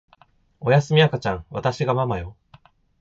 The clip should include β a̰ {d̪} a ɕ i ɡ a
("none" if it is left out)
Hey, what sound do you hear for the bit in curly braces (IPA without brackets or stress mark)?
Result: t̪